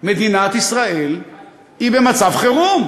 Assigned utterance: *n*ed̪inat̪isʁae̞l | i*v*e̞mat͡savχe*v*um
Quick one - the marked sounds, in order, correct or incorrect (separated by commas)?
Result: incorrect, incorrect, incorrect